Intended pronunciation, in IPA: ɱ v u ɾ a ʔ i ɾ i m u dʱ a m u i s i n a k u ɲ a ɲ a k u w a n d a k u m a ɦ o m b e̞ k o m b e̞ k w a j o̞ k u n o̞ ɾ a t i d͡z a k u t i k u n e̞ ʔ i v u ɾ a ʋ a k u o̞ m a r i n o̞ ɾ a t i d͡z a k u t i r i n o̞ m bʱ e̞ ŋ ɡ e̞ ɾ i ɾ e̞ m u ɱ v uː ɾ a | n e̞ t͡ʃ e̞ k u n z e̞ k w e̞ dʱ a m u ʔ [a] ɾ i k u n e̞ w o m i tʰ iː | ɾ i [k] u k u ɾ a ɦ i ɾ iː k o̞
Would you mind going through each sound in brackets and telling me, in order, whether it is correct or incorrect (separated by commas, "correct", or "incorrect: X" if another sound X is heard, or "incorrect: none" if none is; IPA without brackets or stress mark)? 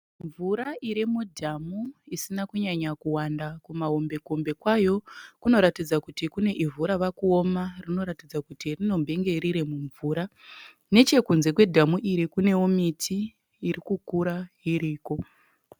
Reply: incorrect: i, correct